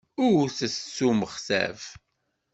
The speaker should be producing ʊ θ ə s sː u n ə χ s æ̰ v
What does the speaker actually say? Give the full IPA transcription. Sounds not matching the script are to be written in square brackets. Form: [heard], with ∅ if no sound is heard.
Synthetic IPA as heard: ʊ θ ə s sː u [m] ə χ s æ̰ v